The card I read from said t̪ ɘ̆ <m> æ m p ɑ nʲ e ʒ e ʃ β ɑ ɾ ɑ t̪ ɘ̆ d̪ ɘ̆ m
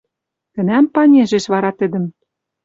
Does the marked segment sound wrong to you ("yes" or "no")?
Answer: yes